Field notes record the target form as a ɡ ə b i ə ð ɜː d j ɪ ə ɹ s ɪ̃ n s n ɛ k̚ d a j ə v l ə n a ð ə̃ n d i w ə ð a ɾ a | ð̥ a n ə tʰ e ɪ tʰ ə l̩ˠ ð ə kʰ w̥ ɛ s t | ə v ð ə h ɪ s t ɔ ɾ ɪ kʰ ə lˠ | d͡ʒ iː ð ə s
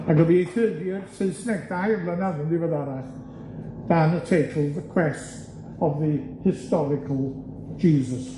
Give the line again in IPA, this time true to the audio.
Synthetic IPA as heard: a ɡ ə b i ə θ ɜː d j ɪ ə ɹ s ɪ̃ n s n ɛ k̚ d a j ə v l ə n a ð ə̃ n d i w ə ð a ɾ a | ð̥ a n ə tʰ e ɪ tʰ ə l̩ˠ ð ə kʰ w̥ ɛ s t | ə v ð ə h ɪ s t ɔ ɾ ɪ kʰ ə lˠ | d͡ʒ iː z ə s